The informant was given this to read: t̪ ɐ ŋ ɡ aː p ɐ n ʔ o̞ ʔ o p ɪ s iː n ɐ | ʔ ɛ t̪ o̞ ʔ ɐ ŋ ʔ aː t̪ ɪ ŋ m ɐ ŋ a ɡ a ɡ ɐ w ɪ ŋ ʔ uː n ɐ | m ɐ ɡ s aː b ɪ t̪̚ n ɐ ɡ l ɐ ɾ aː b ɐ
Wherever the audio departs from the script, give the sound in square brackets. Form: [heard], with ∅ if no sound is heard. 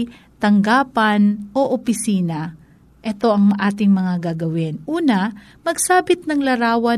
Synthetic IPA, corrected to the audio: t̪ ɐ ŋ ɡ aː p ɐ n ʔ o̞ ʔ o p ɪ s iː n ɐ | ʔ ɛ t̪ o̞ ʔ ɐ ŋ ʔ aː t̪ ɪ ŋ m ɐ ŋ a ɡ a ɡ ɐ w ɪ [n] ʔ uː n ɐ | m ɐ ɡ s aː b ɪ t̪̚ n ɐ [ŋ] l ɐ ɾ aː [w] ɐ